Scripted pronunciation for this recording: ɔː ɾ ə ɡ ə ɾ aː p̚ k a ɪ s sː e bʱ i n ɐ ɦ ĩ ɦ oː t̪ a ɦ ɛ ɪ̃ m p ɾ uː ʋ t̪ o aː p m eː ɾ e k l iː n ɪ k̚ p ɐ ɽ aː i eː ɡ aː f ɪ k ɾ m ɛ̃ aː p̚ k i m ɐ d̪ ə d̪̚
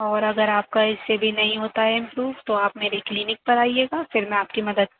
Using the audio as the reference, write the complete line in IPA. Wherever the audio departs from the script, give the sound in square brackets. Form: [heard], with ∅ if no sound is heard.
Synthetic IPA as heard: ɔː ɾ [ɐ] ɡ ə ɾ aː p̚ k a ɪ s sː e bʱ i n ɐ ɦ ĩ ɦ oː t̪ a ɦ ɛ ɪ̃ m p ɾ uː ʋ t̪ o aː p m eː ɾ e k l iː n ɪ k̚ p ɐ [ɾ] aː i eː ɡ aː f ɪ [∅] ɾ m ɛ̃ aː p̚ k i m ɐ d̪ ə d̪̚